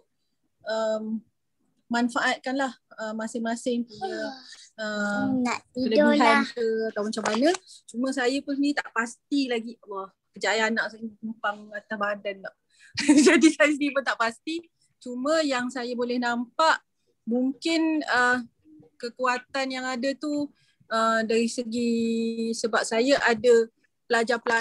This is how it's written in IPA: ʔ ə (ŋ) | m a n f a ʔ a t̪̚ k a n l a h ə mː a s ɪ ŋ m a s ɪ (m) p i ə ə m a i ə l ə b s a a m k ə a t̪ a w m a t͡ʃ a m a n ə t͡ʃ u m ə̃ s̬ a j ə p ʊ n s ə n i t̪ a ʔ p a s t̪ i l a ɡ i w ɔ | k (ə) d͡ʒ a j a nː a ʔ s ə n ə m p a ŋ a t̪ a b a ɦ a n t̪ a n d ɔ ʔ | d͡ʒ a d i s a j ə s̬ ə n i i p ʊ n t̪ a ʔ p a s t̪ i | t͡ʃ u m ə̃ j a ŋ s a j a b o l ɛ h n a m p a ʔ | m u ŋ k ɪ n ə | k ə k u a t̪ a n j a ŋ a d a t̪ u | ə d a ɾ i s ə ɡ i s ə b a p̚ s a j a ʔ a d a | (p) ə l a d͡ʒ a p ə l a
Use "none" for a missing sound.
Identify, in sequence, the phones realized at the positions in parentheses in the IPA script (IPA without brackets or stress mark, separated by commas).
m, ŋ, ə, p